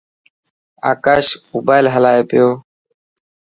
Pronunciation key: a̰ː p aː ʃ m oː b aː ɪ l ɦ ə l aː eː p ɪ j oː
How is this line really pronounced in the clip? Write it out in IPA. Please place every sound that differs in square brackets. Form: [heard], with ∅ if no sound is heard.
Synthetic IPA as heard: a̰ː [k] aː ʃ m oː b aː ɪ l ɦ ə l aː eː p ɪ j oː